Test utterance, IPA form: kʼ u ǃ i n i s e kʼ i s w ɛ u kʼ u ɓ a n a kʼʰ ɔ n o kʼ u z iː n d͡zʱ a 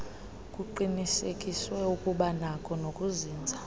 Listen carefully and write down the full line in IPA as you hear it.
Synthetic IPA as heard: kʼ u ǃ i n i s e kʼ i s w ɛ u kʼ u ɓ a n a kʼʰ ɔ n o kʼ u z iː n d͡zʱ a